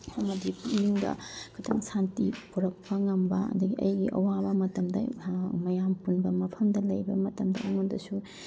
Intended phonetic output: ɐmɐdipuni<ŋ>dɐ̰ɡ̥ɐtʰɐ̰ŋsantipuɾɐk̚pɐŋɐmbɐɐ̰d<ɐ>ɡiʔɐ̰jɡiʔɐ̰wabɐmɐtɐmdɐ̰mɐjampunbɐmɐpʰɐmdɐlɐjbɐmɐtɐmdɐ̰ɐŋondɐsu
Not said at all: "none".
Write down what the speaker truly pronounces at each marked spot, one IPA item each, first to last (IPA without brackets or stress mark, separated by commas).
ŋ, ɐ